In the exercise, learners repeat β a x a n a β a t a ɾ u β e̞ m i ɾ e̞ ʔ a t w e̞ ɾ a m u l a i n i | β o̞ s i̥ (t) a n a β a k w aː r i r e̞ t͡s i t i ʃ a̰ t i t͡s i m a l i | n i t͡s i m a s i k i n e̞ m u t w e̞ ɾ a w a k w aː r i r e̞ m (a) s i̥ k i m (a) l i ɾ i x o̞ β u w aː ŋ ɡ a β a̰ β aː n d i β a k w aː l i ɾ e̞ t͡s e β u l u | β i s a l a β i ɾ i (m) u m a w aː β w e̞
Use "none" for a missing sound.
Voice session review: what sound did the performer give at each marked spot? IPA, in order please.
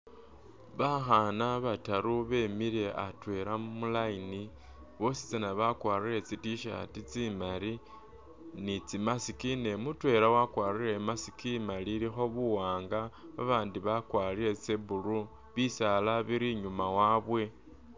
t͡s, a, a, ɲ

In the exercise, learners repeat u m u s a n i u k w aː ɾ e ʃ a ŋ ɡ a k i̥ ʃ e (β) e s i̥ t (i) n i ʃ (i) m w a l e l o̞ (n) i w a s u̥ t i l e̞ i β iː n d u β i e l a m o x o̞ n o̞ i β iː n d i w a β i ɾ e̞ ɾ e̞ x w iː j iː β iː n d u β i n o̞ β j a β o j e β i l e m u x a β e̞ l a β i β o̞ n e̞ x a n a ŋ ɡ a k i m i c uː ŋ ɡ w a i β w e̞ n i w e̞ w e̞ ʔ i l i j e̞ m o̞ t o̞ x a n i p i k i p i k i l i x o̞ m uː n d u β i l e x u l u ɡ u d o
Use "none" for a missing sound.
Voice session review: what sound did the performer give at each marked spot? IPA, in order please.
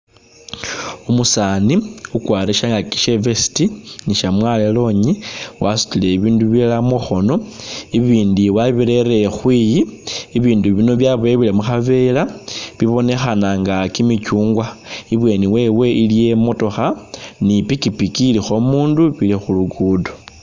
v, i, a, ɲ

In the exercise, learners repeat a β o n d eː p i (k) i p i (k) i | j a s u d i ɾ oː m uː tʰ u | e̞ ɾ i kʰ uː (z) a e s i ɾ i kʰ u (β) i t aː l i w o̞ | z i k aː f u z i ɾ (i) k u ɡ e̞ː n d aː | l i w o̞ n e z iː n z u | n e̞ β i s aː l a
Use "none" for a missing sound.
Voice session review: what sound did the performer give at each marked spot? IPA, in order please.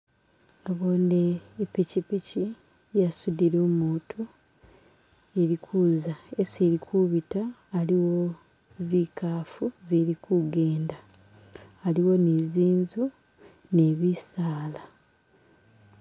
c, c, z, β, i

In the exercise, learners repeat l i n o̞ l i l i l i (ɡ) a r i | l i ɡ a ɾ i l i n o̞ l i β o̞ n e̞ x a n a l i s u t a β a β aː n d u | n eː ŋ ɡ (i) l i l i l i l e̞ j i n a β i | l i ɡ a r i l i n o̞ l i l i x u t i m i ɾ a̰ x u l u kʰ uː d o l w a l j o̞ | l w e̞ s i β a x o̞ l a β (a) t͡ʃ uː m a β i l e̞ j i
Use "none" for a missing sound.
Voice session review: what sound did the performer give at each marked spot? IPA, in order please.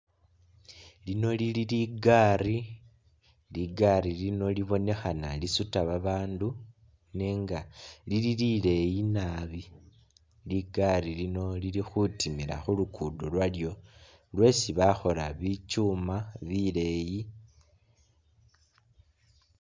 ɡ, a, i

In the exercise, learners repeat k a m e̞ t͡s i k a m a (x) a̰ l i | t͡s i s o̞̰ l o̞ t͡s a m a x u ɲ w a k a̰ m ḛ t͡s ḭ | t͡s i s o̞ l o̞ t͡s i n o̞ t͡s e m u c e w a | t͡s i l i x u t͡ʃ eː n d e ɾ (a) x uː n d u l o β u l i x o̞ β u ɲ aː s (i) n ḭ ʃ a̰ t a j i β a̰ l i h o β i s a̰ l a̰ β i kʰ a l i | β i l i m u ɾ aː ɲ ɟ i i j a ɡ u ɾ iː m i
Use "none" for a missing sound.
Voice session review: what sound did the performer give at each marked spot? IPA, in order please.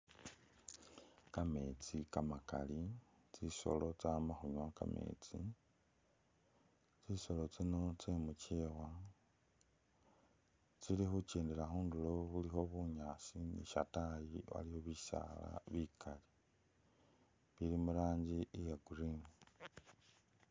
k, a, i

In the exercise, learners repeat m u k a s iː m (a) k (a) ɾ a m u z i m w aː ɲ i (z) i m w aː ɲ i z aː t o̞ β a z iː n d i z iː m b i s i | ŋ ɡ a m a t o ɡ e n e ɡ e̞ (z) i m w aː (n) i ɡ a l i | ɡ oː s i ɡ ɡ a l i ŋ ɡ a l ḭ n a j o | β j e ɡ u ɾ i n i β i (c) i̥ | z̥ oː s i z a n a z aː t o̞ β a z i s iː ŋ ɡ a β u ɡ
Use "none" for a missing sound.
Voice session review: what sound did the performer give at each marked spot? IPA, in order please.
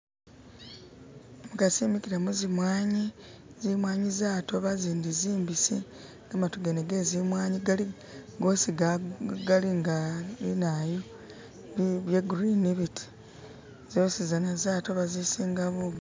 i, i, z, z, ɲ, t

